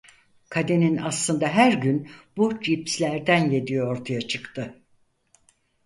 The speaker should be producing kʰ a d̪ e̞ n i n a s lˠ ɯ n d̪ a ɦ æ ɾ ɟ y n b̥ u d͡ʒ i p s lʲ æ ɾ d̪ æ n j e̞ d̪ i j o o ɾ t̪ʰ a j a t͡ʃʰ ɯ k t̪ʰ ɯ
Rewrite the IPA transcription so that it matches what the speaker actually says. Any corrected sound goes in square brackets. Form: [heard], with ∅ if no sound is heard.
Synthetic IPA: kʰ a d̪ e̞ n i n a s lˠ ɯ n d̪ a ɦ æ ɾ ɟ y n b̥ u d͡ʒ i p s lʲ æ ɾ d̪ æ n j e̞ d̪ i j o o ɾ t̪ʰ a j a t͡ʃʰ ɯ k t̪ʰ ɯ